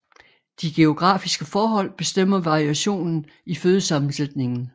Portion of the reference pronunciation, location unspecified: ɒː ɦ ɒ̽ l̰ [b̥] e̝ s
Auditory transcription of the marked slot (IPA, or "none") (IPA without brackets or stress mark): b̥